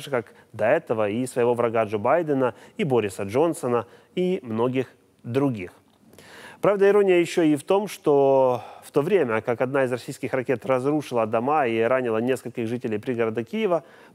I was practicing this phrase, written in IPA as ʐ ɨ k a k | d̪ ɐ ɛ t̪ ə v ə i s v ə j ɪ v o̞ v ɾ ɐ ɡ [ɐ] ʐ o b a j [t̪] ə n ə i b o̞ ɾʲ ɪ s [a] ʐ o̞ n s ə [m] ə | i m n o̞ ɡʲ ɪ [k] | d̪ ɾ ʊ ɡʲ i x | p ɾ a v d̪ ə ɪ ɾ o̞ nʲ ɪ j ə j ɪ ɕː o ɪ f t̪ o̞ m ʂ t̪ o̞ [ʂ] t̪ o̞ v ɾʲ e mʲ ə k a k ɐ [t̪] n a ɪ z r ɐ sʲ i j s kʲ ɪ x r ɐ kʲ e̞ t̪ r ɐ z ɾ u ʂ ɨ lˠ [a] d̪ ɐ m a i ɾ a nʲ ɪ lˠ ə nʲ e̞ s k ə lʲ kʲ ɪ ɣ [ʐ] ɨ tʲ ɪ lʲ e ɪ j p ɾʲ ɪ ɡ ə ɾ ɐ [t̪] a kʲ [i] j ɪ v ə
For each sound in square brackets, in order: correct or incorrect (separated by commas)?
incorrect, incorrect, incorrect, incorrect, incorrect, incorrect, incorrect, incorrect, correct, incorrect, correct